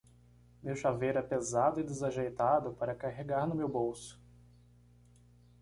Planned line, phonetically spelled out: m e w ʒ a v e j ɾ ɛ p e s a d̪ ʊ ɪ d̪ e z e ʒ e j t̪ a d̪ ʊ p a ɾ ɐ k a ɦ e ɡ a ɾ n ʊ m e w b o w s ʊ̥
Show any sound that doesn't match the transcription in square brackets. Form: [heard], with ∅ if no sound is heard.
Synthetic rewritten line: m e w [ʃ] a v e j ɾ ɛ p e [z] a d̪ ʊ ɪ d̪ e z [a] ʒ e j t̪ a d̪ ʊ p a ɾ ɐ k a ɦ e ɡ a ɾ n ʊ m e w b o w s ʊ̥